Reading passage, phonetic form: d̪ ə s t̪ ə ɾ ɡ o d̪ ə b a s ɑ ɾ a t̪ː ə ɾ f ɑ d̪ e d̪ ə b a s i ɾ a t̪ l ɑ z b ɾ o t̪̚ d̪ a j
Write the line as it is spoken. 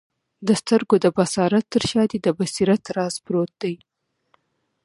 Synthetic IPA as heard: d̪ ə s t̪ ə ɾ ɡ o d̪ ə b a s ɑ ɾ a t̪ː ə ɾ ʃ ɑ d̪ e d̪ ə b a s i ɾ a t̪ ɾ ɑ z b ɾ o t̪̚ d̪ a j